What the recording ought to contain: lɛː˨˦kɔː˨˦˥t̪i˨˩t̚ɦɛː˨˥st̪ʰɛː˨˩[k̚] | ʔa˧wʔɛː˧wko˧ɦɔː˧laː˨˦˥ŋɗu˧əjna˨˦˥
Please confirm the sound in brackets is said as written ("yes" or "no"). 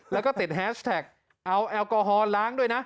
yes